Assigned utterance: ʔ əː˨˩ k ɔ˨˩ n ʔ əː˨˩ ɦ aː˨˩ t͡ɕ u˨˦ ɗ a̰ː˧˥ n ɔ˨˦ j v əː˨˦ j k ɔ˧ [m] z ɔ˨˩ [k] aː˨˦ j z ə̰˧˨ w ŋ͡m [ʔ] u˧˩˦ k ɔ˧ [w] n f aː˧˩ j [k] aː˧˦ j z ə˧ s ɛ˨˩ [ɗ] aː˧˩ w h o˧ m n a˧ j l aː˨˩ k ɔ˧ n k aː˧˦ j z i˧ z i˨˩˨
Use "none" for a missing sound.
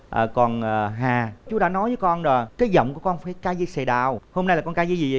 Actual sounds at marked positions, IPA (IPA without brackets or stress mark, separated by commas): n, k, k, none, k, ɗ